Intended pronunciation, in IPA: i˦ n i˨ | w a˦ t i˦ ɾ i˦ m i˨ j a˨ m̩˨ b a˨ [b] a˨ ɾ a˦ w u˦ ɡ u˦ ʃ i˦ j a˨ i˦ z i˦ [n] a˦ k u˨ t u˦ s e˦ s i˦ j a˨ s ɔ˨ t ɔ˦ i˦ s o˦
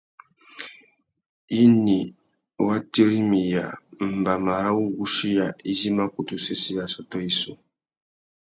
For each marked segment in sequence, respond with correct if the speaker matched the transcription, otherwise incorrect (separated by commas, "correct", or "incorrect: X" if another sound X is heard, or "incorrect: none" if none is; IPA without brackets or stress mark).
incorrect: m, incorrect: m